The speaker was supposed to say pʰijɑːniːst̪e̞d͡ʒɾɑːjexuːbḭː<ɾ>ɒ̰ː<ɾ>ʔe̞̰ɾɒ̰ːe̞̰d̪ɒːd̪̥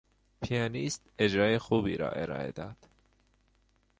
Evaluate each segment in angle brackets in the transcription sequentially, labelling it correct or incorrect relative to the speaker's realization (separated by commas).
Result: correct, incorrect